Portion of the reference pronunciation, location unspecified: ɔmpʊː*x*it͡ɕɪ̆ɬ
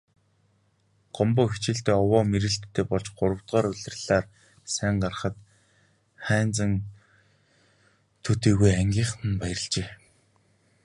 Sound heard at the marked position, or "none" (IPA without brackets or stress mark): x